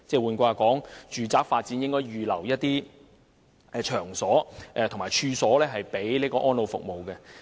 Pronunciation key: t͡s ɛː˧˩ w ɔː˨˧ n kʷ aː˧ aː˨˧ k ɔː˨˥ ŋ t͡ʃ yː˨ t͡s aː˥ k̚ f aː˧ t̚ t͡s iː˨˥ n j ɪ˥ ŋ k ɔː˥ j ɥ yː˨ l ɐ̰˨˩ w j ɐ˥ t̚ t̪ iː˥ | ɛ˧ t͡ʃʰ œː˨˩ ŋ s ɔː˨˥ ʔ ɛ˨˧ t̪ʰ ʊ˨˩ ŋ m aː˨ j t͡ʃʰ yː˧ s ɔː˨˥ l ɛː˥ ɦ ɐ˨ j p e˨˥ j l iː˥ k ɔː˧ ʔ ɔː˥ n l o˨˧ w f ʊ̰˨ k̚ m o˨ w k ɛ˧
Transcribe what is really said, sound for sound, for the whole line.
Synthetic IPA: t͡s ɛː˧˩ w uː˨˧ n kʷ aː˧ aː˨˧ k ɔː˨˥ ŋ t͡ʃ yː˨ t͡s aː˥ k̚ f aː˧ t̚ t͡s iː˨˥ n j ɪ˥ ŋ k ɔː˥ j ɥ yː˨ l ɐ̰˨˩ w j ɐ˥ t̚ t̪ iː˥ | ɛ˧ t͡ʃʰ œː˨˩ ŋ s ɔː˨˥ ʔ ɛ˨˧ t̪ʰ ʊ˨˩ ŋ m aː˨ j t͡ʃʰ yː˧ s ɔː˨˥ l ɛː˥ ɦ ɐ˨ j p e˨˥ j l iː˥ k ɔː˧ ʔ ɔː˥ n l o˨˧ w f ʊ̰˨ k̚ m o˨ w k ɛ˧